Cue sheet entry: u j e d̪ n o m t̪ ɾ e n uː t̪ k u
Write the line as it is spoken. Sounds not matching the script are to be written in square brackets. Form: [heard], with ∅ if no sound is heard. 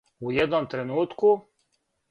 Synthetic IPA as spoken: u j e d̪ n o m t̪ ɾ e n uː t̪ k u